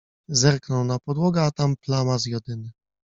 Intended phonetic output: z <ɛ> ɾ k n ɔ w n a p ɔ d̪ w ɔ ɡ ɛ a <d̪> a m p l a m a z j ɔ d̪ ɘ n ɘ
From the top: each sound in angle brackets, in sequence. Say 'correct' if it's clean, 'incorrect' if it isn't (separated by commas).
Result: correct, incorrect